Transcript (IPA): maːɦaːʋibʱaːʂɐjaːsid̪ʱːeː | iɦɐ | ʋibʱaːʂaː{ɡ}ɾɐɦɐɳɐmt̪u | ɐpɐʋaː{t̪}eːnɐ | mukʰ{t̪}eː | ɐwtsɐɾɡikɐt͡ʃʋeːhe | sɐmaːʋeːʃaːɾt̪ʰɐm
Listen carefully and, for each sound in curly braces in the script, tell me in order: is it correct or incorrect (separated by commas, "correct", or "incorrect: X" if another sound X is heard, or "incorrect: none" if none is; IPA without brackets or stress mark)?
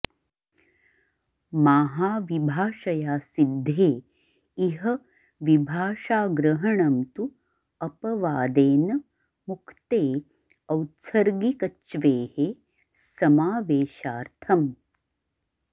correct, incorrect: d̪, correct